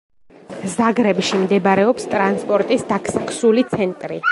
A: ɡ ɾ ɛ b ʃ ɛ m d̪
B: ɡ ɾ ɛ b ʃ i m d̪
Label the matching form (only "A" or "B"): B